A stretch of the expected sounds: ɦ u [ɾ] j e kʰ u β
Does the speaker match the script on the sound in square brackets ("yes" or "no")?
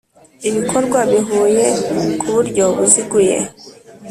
no